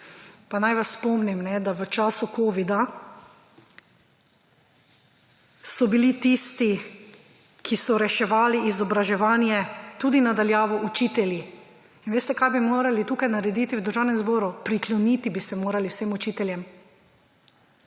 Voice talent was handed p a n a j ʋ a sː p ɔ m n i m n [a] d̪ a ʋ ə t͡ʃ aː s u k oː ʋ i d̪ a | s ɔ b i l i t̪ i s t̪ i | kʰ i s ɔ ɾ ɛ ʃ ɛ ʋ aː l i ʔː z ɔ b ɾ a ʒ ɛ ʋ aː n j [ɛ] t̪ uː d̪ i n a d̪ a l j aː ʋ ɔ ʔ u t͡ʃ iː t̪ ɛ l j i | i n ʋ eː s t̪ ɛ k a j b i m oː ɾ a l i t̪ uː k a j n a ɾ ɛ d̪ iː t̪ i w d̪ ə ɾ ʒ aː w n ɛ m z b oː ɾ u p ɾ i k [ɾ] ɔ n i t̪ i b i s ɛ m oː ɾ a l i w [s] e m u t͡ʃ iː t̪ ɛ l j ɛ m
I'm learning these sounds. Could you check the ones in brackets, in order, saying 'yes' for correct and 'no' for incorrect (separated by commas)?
no, yes, no, yes